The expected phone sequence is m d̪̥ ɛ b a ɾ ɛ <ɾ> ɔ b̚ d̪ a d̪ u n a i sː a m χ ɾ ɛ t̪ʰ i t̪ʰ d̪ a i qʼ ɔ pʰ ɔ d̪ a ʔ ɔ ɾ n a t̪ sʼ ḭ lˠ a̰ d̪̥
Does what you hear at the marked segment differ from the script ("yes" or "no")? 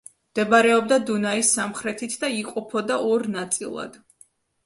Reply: yes